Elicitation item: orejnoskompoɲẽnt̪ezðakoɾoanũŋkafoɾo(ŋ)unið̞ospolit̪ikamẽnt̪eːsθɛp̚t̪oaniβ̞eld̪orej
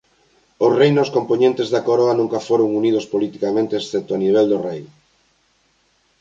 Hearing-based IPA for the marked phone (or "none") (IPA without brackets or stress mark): ŋ